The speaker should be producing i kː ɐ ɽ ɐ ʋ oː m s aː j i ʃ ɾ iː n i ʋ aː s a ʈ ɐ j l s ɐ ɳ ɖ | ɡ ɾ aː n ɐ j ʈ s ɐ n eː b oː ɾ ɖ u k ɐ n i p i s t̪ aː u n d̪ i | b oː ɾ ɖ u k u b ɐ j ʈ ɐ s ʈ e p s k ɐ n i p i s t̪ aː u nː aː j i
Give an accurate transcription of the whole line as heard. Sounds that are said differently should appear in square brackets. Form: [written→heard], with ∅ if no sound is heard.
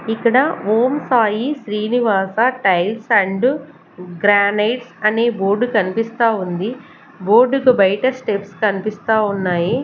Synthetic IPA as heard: i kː ɐ ɽ ɐ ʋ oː m s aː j i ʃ ɾ iː n i ʋ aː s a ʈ ɐ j l s ɐ ɳ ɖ | ɡ ɾ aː n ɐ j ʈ s ɐ n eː b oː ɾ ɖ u k ɐ n i p i s t̪ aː u n d̪ i | b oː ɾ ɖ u k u b ɐ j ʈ ɐ s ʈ e p s k ɐ n i p i s t̪ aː u nː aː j i